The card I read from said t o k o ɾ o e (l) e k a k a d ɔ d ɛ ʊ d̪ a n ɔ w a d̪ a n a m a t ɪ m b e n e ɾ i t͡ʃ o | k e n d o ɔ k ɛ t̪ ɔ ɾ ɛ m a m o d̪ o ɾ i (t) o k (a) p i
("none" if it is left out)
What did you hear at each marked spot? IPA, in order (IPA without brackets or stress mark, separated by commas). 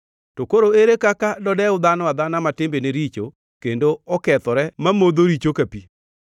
ɾ, t͡ʃ, a